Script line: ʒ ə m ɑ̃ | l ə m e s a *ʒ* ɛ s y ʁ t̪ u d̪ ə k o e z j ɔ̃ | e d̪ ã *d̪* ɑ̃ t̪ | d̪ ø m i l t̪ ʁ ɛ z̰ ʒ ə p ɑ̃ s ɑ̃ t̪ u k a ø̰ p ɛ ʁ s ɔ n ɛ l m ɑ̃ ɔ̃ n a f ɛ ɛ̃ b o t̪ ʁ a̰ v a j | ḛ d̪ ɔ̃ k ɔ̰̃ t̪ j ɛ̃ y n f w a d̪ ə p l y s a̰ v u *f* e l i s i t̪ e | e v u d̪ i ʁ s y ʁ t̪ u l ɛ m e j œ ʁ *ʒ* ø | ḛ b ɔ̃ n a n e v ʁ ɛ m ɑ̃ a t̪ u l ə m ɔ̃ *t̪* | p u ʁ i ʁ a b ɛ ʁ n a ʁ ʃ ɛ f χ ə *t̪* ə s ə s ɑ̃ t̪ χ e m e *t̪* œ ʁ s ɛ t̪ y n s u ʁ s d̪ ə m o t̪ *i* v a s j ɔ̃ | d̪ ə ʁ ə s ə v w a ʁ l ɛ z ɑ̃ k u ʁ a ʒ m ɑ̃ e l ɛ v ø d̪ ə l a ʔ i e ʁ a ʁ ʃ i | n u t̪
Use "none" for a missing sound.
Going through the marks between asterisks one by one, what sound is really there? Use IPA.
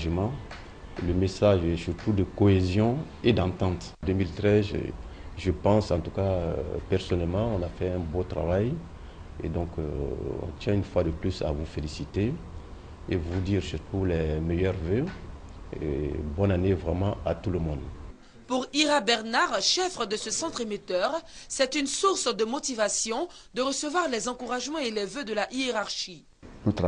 ʒ, t̪, f, v, d̪, d̪, t̪, i

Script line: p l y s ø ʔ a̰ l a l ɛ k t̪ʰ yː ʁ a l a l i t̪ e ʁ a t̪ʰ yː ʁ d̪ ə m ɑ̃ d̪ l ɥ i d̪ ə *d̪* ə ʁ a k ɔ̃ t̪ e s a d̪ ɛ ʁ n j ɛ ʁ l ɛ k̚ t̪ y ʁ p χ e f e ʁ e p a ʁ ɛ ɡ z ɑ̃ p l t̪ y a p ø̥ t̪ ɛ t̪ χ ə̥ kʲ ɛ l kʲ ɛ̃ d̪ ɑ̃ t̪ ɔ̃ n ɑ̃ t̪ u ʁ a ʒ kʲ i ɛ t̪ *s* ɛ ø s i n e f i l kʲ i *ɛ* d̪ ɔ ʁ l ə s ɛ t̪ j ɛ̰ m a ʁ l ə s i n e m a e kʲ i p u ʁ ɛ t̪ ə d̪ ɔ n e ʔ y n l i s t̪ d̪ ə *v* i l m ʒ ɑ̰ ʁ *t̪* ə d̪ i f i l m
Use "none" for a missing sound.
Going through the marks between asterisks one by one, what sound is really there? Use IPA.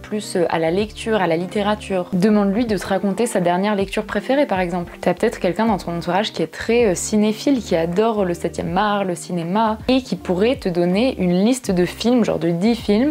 t̪, χ, a, f, d̪

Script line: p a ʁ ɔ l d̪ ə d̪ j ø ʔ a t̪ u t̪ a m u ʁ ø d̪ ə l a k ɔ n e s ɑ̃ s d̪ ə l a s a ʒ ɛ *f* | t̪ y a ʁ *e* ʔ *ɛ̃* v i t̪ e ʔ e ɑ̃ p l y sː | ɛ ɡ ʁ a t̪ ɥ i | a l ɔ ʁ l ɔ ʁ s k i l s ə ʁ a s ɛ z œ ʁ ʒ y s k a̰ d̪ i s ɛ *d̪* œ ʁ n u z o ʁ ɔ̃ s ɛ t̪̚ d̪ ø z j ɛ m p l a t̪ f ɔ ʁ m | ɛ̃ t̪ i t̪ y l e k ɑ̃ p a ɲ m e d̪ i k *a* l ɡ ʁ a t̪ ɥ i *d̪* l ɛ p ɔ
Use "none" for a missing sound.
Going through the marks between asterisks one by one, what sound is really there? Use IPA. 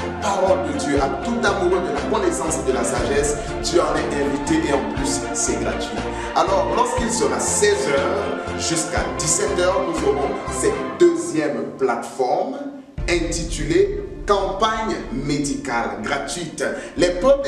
s, ɛ, ɛ̃, t̪, a, t̪

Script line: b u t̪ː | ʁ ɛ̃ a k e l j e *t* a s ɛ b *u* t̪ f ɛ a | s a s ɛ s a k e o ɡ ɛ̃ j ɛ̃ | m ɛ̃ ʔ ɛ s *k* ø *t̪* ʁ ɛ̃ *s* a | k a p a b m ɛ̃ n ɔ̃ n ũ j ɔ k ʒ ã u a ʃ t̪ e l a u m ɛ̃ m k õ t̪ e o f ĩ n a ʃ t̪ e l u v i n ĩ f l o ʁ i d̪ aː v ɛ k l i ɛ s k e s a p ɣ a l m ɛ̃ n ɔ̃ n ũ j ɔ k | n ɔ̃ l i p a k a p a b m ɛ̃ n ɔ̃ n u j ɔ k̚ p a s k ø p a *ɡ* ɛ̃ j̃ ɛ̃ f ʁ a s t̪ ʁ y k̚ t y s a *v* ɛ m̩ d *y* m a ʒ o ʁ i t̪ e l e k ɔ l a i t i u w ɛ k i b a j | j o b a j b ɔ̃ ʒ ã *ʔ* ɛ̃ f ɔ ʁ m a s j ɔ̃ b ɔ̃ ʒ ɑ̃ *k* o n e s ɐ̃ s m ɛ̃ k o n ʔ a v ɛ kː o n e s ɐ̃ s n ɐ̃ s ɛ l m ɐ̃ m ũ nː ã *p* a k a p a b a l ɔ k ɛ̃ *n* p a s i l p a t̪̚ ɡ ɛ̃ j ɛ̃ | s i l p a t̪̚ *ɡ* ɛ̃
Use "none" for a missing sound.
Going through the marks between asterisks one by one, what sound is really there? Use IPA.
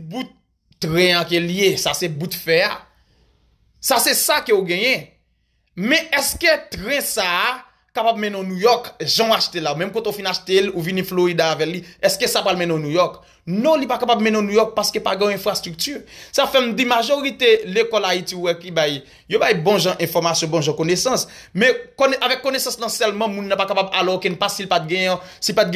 s, u, k, t̪, s, ɡ, f, i, ʔ, k, p, n, ɡ

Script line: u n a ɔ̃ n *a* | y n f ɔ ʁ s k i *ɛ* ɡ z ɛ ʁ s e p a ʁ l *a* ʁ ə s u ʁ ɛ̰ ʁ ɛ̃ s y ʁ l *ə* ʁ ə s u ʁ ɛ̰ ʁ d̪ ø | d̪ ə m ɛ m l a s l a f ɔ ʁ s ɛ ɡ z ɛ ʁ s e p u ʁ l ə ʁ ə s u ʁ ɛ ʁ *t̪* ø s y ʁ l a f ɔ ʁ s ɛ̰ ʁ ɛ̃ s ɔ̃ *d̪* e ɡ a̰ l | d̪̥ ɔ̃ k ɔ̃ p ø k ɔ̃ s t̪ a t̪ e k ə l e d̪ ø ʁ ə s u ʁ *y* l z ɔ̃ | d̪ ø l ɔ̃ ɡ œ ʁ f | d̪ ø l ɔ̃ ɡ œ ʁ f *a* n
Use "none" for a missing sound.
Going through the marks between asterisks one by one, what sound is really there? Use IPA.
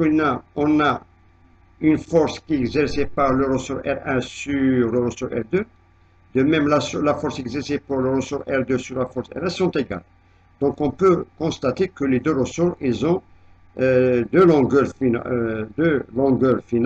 a, ɛ, ə, ə, d̪, t̪, i, i

